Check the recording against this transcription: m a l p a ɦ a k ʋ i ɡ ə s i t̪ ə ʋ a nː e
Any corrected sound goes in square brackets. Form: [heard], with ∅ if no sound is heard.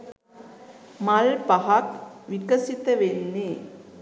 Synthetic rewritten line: m a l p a ɦ a k ʋ i [k] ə s i t̪ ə ʋ [e] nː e